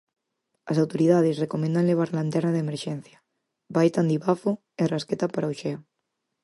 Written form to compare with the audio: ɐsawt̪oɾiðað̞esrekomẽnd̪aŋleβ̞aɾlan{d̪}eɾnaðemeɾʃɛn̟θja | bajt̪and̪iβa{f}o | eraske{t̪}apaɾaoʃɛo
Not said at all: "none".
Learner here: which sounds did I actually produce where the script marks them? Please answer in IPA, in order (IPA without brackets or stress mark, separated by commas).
t̪, f, t̪